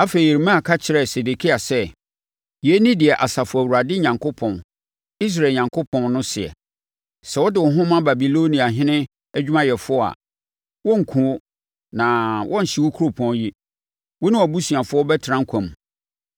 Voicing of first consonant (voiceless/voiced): voiceless